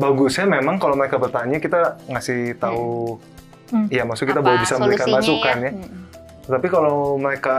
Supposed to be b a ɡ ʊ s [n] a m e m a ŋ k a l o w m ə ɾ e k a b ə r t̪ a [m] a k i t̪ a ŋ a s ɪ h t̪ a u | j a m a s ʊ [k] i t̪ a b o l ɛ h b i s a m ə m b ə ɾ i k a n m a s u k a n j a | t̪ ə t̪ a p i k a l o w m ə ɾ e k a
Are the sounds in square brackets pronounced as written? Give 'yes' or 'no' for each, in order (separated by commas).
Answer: no, no, yes